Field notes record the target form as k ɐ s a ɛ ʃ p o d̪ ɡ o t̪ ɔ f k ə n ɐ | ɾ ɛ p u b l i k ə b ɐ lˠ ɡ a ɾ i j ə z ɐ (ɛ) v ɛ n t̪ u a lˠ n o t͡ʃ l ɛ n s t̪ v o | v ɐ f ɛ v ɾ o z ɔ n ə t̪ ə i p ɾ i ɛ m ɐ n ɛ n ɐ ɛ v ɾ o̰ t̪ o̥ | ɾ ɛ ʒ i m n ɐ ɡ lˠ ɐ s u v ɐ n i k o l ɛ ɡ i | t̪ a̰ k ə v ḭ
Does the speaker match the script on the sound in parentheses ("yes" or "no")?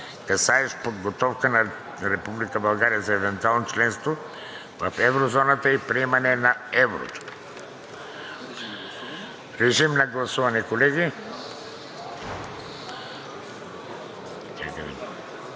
yes